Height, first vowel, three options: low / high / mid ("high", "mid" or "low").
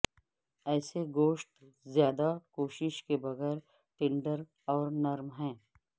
mid